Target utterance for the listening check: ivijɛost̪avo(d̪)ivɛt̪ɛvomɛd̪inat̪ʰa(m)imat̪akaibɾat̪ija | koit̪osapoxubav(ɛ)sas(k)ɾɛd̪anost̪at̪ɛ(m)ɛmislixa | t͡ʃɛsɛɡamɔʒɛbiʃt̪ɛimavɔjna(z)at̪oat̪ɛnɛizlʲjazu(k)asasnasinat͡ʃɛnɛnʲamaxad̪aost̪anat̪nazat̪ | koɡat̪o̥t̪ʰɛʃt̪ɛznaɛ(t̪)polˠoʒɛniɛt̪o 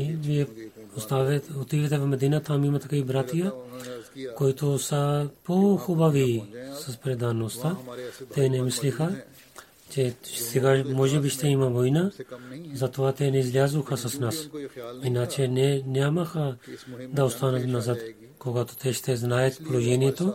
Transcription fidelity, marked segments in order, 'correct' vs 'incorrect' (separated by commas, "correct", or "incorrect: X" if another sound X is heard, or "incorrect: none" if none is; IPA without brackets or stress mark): incorrect: t̪, correct, incorrect: i, incorrect: p, incorrect: n, correct, incorrect: x, correct